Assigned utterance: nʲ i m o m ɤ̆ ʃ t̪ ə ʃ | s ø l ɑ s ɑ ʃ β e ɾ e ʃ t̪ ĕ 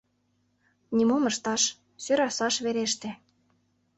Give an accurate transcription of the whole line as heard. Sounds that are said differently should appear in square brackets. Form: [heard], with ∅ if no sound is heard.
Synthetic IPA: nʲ i m o m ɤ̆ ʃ t̪ [ɑ] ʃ | s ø [ɾ] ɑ s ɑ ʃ β e ɾ e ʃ t̪ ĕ